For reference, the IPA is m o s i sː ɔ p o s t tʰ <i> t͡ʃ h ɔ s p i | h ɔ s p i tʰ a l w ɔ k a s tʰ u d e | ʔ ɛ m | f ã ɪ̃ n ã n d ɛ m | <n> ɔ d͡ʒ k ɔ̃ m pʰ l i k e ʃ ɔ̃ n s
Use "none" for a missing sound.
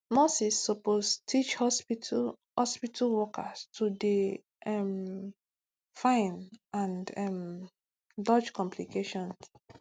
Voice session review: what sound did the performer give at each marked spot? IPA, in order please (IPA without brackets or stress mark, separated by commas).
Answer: i, d